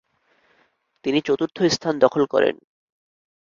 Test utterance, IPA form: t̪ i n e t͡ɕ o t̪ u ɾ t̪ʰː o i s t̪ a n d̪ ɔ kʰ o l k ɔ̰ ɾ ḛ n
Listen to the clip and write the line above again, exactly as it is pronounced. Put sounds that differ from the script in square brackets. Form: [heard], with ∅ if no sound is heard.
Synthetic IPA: t̪ i n [i] t͡ɕ o t̪ u ɾ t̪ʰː o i s [t̪ʰ] a n d̪ ɔ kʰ o l k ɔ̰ ɾ ḛ n

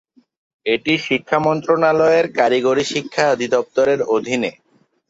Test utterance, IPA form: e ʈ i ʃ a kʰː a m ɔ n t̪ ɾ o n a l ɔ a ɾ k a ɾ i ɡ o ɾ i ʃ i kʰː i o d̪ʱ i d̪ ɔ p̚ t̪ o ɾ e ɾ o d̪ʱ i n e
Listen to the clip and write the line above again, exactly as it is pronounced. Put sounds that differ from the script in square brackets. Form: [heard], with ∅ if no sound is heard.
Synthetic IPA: e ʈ i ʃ [i] kʰː a m ɔ n t̪ ɾ o n a l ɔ [e] ɾ k a ɾ i ɡ o ɾ i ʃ i kʰː [a] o d̪ʱ i d̪ ɔ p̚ t̪ o ɾ e ɾ o d̪ʱ i n e

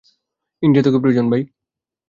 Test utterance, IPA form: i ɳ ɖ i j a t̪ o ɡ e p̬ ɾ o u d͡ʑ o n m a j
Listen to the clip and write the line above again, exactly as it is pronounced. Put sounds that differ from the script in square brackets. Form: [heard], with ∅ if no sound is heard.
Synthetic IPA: i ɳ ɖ i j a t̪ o [k] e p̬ ɾ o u d͡ʑ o n [b] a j

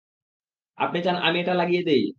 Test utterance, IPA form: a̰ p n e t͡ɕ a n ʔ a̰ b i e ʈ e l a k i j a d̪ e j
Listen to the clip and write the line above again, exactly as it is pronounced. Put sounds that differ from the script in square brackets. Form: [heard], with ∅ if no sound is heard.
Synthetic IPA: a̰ p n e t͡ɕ a n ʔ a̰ [m] i e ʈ [a] l a [ɡ] i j [e] d̪ e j

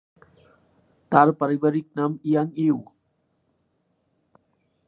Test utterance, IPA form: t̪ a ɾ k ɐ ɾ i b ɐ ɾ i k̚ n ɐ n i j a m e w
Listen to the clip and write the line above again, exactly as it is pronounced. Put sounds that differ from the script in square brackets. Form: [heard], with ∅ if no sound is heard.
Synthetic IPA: t̪ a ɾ [p] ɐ ɾ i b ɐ ɾ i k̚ n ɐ [m] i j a [ŋ] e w

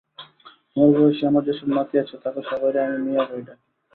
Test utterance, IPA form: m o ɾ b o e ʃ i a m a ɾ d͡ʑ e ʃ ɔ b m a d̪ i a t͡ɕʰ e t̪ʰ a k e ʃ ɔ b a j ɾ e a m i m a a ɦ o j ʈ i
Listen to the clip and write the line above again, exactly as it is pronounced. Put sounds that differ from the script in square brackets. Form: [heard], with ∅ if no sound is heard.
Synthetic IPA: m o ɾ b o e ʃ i a m a ɾ d͡ʑ e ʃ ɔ b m a [t̪] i a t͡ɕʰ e [t̪] a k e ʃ ɔ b a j ɾ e a m i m [i] a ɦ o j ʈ [a]

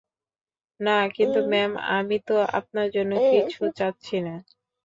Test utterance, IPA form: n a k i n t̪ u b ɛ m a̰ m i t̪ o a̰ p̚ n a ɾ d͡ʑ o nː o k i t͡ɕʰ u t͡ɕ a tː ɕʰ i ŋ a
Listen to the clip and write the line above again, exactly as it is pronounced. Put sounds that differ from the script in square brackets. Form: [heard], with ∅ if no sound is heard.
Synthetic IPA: n a k i n t̪ u [m] ɛ m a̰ m i t̪ o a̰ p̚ n a ɾ d͡ʑ o nː o k i t͡ɕʰ u t͡ɕ a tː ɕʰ i [n] a

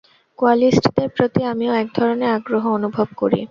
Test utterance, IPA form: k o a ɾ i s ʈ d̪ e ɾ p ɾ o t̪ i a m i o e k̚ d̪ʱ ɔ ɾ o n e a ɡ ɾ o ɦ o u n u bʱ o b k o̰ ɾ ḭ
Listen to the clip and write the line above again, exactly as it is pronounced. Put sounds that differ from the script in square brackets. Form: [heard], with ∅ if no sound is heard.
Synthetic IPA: k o a [l] i s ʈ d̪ e ɾ p ɾ o t̪ i a m i o [ɛ] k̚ d̪ʱ ɔ ɾ o n e a ɡ ɾ o ɦ o [o] n u bʱ o b k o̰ ɾ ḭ

